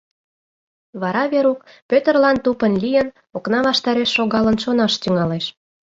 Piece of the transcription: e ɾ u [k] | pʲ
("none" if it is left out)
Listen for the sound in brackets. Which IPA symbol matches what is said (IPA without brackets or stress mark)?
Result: k